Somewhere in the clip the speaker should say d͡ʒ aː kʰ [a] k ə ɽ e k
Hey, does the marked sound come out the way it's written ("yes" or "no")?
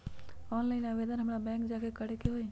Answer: no